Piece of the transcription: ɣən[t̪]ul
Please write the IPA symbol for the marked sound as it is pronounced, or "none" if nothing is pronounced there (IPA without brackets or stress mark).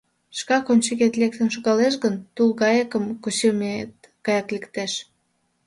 t̪